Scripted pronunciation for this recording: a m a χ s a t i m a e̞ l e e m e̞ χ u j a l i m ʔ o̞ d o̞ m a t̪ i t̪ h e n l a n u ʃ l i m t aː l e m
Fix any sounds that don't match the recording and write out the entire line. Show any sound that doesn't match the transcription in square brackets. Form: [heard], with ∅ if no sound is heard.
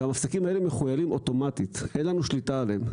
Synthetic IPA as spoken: a m a [f] s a [k] i m a e̞ l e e m e̞ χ u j a l i m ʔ o̞ [t] o̞ m a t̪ i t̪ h e n l a n u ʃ l i [∅] t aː l e m